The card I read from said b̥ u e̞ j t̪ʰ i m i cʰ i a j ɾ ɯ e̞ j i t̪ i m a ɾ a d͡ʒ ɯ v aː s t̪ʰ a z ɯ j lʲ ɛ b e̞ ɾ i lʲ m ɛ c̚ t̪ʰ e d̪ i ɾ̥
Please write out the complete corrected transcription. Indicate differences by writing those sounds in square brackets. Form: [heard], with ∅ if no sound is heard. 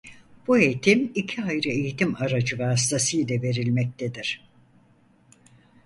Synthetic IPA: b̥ u e̞ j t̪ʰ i m i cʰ i a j ɾ ɯ e̞ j i t̪ i m a ɾ a d͡ʒ ɯ v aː s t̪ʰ a [s] ɯ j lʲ ɛ [v] e̞ ɾ i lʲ m ɛ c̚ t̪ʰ e d̪ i ɾ̥

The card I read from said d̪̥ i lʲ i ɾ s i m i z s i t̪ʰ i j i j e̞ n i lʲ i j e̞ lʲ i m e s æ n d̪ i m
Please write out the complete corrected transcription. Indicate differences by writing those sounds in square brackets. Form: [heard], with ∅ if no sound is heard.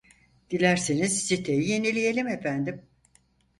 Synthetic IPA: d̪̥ i lʲ [æ] ɾ s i [n] i z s i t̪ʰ [e] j i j e̞ n i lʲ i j e̞ lʲ i m e [f] æ n d̪ i m

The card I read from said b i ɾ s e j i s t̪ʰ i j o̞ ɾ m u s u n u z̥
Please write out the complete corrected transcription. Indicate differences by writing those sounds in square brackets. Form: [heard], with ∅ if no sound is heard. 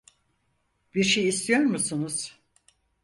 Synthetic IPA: b i ɾ [ʃ] e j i s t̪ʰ i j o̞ ɾ m u s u n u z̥

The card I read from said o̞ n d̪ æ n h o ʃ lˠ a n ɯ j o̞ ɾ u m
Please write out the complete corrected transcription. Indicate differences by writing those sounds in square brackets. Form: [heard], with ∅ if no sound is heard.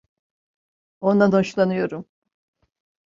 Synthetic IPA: o̞ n d̪ [a] n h o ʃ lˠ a n ɯ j o̞ ɾ u m

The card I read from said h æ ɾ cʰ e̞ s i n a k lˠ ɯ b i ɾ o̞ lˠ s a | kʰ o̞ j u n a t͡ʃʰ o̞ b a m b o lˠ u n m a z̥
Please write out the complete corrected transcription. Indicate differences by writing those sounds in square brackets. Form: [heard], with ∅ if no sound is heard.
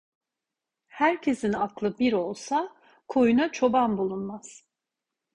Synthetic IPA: h æ ɾ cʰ e̞ s i n a k lˠ ɯ b i ɾ o̞ lˠ s a | kʰ o̞ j u n a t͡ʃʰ o̞ b a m b [u] lˠ u n m a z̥

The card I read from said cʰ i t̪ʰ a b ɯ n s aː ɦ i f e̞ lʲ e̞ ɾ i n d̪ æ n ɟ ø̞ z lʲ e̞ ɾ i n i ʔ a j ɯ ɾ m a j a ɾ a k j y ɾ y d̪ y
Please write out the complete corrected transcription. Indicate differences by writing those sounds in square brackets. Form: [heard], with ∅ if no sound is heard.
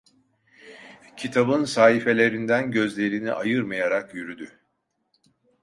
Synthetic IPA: cʰ i t̪ʰ a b ɯ n s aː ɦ i f e̞ lʲ e̞ ɾ i n d̪ æ n ɟ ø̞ z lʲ e̞ ɾ i n i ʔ a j ɯ ɾ m a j a ɾ a k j y ɾ y d̪ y

